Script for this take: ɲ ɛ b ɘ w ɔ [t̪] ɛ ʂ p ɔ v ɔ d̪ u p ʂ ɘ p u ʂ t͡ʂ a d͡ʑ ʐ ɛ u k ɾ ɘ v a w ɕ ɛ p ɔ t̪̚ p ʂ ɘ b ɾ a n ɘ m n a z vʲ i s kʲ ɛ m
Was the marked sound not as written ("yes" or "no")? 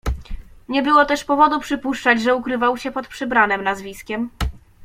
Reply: no